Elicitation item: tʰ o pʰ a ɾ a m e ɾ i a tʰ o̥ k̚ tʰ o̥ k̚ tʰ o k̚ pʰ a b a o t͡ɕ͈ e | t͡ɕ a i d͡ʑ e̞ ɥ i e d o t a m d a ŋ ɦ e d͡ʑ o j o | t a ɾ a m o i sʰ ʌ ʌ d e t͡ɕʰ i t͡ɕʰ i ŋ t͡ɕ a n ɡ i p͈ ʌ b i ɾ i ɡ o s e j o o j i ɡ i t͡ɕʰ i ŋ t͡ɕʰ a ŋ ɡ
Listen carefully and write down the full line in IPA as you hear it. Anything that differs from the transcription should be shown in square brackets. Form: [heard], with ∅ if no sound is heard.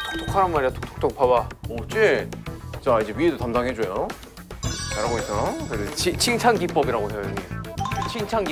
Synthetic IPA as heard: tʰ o [kʰ] a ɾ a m [a] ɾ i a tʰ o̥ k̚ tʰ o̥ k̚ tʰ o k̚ pʰ a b a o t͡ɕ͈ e | t͡ɕ a i d͡ʑ e̞ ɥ i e d o t a m d a ŋ ɦ e d͡ʑ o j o | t a ɾ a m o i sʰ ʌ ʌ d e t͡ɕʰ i t͡ɕʰ i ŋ [t͡ɕʰ] a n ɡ i p͈ ʌ b i ɾ [a] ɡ o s e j o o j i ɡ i t͡ɕʰ i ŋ t͡ɕʰ a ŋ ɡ